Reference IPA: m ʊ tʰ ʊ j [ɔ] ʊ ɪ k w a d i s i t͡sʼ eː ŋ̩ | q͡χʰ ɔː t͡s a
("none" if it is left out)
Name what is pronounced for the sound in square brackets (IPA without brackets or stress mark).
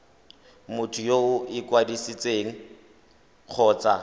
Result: o